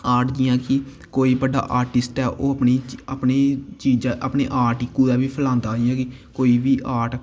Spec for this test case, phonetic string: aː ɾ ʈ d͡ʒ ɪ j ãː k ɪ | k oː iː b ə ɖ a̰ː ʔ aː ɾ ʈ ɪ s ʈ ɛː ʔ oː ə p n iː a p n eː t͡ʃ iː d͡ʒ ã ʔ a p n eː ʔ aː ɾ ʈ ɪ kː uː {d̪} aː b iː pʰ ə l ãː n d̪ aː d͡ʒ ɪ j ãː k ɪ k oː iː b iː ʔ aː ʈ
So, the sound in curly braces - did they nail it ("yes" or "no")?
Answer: yes